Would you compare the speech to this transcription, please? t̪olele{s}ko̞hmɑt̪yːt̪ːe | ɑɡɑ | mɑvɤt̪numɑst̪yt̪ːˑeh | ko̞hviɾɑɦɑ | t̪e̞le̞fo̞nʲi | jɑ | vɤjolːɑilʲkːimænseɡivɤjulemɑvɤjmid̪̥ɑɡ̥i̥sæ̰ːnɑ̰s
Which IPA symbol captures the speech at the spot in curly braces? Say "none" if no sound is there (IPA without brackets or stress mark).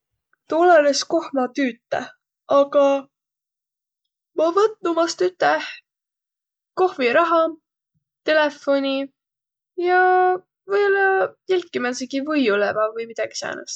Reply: s